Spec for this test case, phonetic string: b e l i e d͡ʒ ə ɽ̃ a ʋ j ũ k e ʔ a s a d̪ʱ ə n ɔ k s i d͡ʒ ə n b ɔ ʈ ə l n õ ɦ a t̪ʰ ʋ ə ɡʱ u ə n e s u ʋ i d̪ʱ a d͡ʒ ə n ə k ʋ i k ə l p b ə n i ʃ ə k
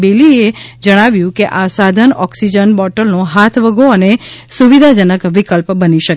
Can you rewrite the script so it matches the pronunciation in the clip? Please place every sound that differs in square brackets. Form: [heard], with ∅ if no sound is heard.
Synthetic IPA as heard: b e l i e d͡ʒ ə ɽ̃ a ʋ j ũ k e ʔ a s a d̪ʱ ə n ɔ k s i d͡ʒ ə n b ɔ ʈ ə l n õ ɦ a t̪ʰ ʋ ə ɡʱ [o] ə n e s u ʋ i d̪ʱ a d͡ʒ ə n ə k ʋ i k ə l p b ə n i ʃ ə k